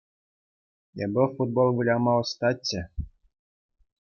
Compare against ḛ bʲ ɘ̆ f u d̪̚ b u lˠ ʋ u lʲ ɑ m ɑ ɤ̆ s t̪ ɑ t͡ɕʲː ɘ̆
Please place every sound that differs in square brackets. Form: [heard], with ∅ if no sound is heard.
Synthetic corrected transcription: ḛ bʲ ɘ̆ f u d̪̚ b [o] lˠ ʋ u lʲ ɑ m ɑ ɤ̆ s t̪ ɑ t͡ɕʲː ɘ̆

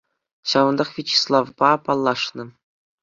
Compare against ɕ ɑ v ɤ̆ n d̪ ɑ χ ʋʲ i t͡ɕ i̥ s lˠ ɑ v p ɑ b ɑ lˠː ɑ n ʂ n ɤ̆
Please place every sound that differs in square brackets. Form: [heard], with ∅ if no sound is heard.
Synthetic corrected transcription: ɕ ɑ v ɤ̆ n d̪ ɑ χ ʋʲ i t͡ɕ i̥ s lˠ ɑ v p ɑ [p] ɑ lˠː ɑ [∅] ʂ n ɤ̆

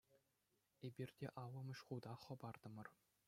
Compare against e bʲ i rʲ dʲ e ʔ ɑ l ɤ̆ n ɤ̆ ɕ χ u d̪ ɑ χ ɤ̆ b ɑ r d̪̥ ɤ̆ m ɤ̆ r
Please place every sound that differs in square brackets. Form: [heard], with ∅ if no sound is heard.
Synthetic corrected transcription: e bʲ i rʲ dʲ e ʔ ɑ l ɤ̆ [m] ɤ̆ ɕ χ u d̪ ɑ χ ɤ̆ b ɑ r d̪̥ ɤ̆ m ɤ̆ r

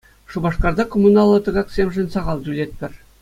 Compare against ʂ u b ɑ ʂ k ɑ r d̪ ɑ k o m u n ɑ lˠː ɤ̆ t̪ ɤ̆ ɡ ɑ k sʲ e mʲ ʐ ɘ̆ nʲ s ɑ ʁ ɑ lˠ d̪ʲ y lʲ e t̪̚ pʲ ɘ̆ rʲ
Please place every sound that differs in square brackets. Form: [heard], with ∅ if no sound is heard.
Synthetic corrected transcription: ʂ u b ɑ ʂ k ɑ r d̪ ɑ k o m u n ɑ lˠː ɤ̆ t̪ ɤ̆ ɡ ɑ k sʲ e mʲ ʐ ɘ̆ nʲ s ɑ ʁ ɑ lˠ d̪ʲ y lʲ e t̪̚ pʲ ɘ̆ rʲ

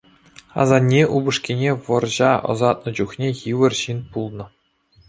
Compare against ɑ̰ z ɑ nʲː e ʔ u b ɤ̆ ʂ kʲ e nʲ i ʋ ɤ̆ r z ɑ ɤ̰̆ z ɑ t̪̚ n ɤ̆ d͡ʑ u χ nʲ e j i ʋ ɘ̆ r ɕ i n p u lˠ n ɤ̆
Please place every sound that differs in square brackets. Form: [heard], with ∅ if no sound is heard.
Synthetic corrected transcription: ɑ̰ z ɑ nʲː e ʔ u b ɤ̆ ʂ kʲ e nʲ [e] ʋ ɤ̆ r [ʑ] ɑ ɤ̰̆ z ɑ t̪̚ n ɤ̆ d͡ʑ u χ nʲ e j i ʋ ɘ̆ r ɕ i n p u lˠ n ɤ̆

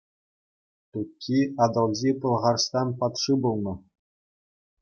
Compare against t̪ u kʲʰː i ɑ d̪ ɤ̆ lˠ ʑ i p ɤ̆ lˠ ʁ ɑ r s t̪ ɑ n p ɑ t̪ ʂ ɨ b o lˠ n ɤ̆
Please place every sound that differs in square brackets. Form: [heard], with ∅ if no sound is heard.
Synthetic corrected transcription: t̪ u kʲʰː i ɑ d̪ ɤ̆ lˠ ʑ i p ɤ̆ lˠ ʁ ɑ r s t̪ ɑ n p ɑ t̪ ʂ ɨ b [u] lˠ n ɤ̆

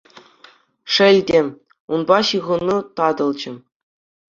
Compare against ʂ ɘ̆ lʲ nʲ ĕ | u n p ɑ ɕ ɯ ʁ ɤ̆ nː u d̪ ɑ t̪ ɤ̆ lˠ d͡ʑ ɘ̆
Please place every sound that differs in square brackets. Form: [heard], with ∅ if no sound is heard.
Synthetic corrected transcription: ʂ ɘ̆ lʲ [dʲ] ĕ | u n [b] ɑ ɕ ɯ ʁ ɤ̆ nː u [t̪] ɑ [d̪] ɤ̆ lˠ d͡ʑ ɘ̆

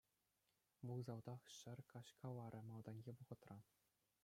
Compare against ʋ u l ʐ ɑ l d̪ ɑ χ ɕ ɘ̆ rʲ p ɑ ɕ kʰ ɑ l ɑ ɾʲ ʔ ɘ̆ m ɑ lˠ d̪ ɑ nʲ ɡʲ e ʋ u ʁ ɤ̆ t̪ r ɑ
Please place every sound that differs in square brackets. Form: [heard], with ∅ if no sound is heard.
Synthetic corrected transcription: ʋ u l [z] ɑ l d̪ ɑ χ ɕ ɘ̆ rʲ [k] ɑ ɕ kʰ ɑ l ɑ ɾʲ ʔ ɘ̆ m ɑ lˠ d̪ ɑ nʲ ɡʲ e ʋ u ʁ ɤ̆ t̪ r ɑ

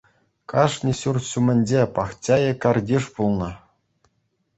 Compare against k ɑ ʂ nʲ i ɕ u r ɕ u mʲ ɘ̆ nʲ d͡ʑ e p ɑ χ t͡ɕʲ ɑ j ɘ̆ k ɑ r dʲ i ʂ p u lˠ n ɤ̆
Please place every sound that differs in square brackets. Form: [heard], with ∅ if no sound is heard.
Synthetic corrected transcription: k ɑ ʂ nʲ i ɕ u r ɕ u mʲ ɘ̆ nʲ d͡ʑ e p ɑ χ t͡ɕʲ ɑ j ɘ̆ k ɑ r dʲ i ʂ p u lˠ n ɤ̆

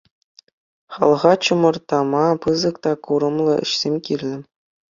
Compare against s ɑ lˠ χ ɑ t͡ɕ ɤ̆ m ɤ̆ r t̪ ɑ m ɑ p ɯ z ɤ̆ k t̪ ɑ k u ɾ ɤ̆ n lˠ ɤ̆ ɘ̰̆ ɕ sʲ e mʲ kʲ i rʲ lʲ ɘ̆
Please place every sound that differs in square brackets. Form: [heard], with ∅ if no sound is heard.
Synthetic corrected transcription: [χ] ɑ lˠ [ʁ] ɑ t͡ɕ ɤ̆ m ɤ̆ r t̪ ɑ m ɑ p ɯ z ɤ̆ k t̪ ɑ k u ɾ ɤ̆ [m] lˠ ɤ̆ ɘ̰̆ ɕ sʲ e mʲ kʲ i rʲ lʲ ɘ̆

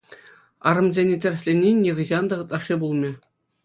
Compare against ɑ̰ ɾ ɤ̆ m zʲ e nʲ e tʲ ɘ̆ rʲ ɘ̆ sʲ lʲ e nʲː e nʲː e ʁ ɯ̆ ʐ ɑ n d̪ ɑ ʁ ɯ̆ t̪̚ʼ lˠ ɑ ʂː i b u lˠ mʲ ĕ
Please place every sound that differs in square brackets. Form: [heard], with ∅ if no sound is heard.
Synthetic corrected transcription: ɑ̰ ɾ ɤ̆ m zʲ e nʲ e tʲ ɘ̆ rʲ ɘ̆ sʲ lʲ e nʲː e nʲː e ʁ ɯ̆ [ʑ] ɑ n d̪ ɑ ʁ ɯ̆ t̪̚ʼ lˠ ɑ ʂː i b u lˠ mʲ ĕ

